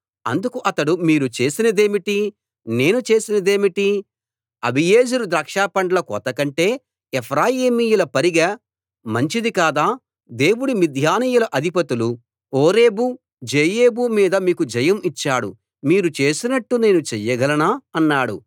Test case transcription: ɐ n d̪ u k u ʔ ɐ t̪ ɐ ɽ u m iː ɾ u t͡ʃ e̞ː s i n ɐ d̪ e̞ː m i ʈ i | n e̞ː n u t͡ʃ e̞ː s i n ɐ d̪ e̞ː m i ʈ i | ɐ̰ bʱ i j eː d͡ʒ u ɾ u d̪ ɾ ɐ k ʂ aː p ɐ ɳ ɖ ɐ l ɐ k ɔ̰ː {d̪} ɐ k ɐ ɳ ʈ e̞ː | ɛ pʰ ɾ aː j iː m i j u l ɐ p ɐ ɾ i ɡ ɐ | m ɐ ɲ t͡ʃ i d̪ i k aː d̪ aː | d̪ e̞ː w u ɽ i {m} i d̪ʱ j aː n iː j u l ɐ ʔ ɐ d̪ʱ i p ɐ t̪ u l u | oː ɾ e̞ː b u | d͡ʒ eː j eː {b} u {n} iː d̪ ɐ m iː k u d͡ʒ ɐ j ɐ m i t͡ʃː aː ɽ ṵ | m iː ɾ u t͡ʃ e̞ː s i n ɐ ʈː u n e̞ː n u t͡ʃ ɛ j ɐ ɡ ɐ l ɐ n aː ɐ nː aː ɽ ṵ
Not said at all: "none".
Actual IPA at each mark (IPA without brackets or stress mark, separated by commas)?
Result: t̪, m, b, m